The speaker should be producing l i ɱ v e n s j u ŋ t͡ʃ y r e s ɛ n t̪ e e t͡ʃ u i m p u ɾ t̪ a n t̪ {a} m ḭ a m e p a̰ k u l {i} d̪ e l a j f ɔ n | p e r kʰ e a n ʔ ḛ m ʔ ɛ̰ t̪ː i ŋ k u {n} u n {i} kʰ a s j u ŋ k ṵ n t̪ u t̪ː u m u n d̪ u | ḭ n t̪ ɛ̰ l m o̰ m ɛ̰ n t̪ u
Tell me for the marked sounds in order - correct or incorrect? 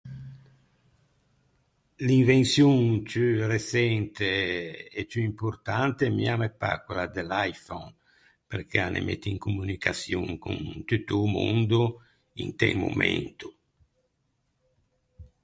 incorrect, incorrect, incorrect, correct

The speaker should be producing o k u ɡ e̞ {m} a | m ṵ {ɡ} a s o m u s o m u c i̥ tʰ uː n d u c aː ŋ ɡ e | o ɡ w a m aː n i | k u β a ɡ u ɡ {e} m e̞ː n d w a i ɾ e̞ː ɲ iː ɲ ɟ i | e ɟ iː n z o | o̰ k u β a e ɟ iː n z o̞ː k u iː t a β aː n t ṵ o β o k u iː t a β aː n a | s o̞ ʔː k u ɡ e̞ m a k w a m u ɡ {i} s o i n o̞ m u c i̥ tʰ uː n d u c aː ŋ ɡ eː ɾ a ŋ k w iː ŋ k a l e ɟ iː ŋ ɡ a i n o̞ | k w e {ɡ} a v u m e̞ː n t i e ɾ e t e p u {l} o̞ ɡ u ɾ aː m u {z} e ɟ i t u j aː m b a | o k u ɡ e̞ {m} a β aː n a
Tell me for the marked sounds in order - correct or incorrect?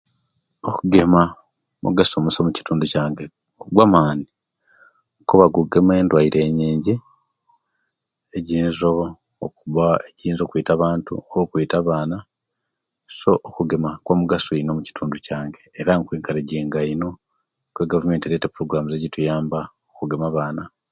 correct, correct, correct, incorrect, correct, incorrect, correct, correct

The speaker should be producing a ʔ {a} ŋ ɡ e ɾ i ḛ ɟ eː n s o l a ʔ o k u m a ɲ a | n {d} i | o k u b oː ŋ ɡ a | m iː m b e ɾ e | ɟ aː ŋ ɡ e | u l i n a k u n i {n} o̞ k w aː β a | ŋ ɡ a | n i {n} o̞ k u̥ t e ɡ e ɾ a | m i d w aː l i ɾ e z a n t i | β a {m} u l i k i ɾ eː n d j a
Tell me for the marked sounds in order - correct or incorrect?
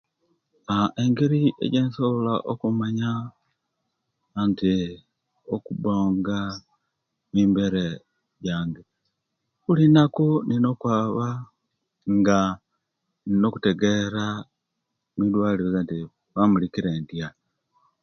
incorrect, incorrect, correct, correct, correct

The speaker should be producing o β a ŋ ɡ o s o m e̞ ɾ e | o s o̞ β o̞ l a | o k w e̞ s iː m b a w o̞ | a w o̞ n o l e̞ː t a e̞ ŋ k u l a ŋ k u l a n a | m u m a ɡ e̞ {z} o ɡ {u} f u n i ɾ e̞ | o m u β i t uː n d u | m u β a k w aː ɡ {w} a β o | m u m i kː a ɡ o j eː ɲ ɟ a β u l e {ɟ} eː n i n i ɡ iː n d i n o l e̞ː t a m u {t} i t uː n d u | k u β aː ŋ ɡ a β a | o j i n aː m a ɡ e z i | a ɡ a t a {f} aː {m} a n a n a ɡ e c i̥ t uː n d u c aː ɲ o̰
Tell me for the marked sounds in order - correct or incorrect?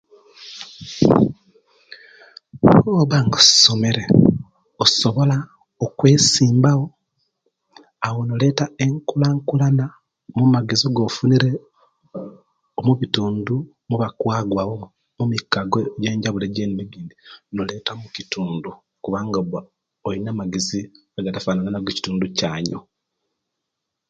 correct, incorrect, correct, correct, incorrect, correct, incorrect

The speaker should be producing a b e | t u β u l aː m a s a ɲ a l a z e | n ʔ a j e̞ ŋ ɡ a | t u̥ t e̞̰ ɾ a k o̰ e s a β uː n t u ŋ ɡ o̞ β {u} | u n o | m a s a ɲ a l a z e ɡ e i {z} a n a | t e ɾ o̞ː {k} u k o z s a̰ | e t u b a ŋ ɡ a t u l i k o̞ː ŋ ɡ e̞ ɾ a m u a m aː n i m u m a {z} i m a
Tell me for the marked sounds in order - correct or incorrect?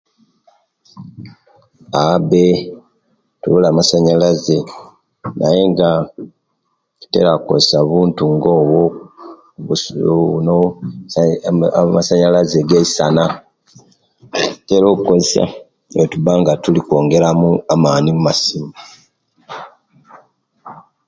incorrect, incorrect, correct, incorrect

